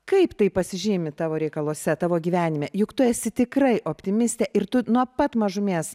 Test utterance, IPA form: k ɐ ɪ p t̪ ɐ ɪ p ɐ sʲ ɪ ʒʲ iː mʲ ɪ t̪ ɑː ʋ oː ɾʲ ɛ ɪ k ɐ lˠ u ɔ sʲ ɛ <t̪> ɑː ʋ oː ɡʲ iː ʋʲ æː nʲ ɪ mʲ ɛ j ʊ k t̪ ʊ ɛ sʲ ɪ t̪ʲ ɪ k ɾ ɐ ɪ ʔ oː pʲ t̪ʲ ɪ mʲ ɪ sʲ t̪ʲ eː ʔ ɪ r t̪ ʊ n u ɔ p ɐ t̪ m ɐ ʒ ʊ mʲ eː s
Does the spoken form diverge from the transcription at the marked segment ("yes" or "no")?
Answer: no